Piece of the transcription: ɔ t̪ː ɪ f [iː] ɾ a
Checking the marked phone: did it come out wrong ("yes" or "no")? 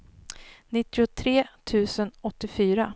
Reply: yes